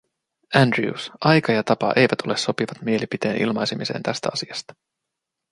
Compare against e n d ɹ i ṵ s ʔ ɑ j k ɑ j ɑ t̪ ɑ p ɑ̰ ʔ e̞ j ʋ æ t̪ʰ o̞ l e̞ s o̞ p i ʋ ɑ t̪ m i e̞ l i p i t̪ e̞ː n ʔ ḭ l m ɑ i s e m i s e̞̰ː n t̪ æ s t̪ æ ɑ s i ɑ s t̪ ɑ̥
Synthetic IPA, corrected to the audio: æ n d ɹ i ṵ s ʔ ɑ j k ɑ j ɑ t̪ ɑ p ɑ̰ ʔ e̞ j ʋ æ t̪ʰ o̞ l e̞ s o̞ p i ʋ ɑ t̪ m i e̞ l i p i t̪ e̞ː n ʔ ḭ l m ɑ j s e m i s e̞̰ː n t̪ æ s t̪ æ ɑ s i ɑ s t̪ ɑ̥